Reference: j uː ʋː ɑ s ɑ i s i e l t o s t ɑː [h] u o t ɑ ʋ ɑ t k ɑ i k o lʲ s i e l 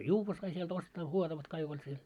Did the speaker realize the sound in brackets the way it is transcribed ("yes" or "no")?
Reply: yes